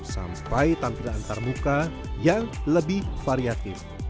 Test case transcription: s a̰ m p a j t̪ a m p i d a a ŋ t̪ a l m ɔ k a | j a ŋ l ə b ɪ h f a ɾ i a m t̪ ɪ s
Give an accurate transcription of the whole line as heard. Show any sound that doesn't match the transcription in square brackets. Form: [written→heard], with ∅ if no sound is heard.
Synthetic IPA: s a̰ m p a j t̪ a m p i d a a [ŋ→n] t̪ a [l→r] m [ɔ→u] k a | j a ŋ l ə b ɪ h f a ɾ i a [m→∅] t̪ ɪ [s→f]